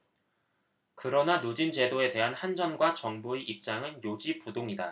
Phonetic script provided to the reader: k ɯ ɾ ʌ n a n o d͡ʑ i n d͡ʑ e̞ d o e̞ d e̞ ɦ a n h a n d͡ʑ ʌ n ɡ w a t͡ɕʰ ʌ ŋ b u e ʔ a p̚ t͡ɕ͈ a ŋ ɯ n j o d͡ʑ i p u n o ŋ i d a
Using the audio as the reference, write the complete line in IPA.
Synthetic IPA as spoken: k ɯ ɾ ʌ n a n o d͡ʑ i n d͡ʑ e̞ d o e̞ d e̞ ɦ a n h a n d͡ʑ ʌ n ɡ w a t͡ɕ ʌ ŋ b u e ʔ i p̚ t͡ɕ͈ a ŋ ɯ n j o d͡ʑ i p u d o ŋ i d a

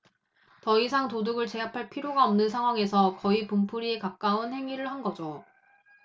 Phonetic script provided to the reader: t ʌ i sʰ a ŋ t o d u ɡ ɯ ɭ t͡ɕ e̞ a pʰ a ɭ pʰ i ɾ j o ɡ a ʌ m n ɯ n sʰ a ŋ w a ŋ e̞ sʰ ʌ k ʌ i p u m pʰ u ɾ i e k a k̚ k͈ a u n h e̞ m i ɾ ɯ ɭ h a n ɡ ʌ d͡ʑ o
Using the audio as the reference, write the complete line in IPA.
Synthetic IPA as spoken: t ʌ i sʰ a ŋ t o d u ɡ ɯ ɭ t͡ɕ e̞ a pʰ a ɭ pʰ i ɾ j o ɡ a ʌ m n ɯ n sʰ a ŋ w a ŋ e̞ sʰ ʌ k ʌ i p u m pʰ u ɾ i e k a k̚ k͈ a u n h e̞ ŋ i ɾ ɯ ɭ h a n ɡ ʌ d͡ʑ o

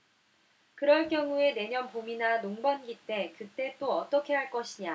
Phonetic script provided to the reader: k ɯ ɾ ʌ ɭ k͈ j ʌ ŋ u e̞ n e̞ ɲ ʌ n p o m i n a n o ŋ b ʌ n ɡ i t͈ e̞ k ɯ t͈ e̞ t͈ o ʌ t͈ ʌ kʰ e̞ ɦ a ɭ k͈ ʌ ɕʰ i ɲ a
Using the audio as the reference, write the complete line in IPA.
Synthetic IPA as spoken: k ɯ ɾ ʌ ɭ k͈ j ʌ ŋ u e̞ n e̞ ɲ ʌ n p o m i n a n o ŋ b ʌ n ɡ i t͈ e̞ k ɯ t͈ e̞ t͈ o ʌ t͈ ʌ kʰ e̞ ɦ a ɭ k͈ ʌ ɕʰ i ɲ a

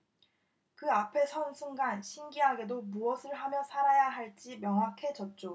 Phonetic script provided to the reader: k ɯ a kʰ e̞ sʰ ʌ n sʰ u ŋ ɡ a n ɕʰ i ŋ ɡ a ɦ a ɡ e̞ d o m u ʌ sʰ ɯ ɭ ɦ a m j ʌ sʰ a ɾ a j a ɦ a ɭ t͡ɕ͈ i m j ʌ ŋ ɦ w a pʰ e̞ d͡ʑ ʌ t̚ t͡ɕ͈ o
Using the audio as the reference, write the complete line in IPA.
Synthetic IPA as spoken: k ɯ a pʰ e̞ sʰ ʌ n sʰ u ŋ ɡ a n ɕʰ i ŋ ɡ i ɦ a ɡ e̞ d o m u ʌ sʰ ɯ ɭ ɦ a m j ʌ sʰ a ɾ a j a ɦ a ɭ t͡ɕ͈ i m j ʌ ŋ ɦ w a kʰ e̞ d͡ʑ ʌ t̚ t͡ɕ͈ o

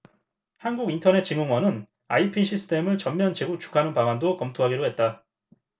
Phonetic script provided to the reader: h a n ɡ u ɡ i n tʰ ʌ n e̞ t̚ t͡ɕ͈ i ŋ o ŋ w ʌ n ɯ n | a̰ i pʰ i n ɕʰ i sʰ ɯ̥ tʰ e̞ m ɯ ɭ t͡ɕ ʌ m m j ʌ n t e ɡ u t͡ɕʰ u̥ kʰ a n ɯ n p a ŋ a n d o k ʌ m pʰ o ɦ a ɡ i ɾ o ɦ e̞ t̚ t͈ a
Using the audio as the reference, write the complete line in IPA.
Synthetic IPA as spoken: h a n ɡ u ɡ i n tʰ ʌ n e̞ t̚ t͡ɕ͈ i ŋ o ŋ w ʌ n ɯ n | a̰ i pʰ i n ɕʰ i sʰ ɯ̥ tʰ e̞ m ɯ ɭ t͡ɕ ʌ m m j ʌ n t͡ɕ e ɡ u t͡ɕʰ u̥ kʰ a n ɯ n p a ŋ a n d o k ʌ m tʰ o ɦ a ɡ i ɾ o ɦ e̞ t̚ t͈ a

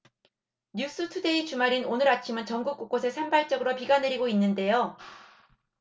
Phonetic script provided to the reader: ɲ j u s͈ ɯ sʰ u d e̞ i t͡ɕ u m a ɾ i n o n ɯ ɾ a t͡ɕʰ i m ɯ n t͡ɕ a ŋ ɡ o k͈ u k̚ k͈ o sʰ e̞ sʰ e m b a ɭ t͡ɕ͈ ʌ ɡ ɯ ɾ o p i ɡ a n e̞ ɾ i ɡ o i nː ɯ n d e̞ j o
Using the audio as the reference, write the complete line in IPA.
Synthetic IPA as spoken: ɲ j u s͈ ɯ tʰ u d e̞ i t͡ɕ u m a ɾ i n o n ɯ ɾ a t͡ɕʰ i m ɯ n t͡ɕ ʌ ŋ ɡ u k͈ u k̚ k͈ o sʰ e̞ sʰ e m b a ɭ t͡ɕ͈ ʌ ɡ ɯ ɾ o p i ɡ a n e̞ ɾ i ɡ o i nː ɯ n d e̞ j o

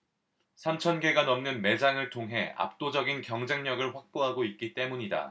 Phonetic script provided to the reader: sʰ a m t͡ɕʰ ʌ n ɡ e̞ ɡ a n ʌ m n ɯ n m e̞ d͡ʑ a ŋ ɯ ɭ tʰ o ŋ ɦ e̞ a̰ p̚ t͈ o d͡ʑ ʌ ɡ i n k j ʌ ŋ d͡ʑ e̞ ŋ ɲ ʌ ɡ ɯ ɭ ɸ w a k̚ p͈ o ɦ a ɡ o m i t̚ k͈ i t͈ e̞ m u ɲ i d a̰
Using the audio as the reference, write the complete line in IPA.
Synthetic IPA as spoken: sʰ a m t͡ɕʰ ʌ n ɡ e̞ ɡ a n ʌ m n ɯ n m e̞ d͡ʑ a ŋ ɯ ɭ tʰ o ŋ ɦ e̞ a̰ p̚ t͈ o d͡ʑ ʌ ɡ i n k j ʌ ŋ d͡ʑ e̞ ŋ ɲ ʌ ɡ ɯ ɭ ɸ w a k̚ p͈ o ɦ a ɡ o i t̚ k͈ i t͈ e̞ m u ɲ i d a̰

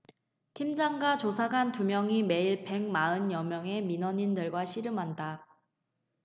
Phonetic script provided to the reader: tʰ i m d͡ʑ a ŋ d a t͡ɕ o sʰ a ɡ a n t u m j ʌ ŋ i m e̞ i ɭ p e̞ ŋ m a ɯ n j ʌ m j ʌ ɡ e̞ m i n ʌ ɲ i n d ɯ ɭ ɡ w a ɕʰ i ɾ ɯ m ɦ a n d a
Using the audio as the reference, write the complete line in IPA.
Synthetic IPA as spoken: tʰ i m d͡ʑ a ŋ ɡ a t͡ɕ o sʰ a ɡ a n t u m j ʌ ŋ i m e̞ i ɭ p e̞ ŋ m a ɯ n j ʌ m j ʌ ŋ e̞ m i n ʌ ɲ i n d ɯ ɭ ɡ w a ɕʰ i ɾ ɯ m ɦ a n d a

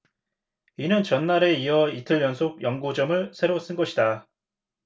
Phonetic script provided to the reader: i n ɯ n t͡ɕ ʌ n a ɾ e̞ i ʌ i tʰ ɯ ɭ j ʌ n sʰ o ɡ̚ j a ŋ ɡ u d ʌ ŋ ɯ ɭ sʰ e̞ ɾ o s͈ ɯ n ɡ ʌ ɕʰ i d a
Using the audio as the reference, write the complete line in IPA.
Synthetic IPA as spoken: i n ɯ n t͡ɕ ʌ nː a ɾ e̞ i ʌ i tʰ ɯ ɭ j ʌ n sʰ o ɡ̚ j ʌ ŋ ɡ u d͡ʑ ʌ m ɯ ɭ sʰ e̞ ɾ o s͈ ɯ n ɡ ʌ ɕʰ i d a

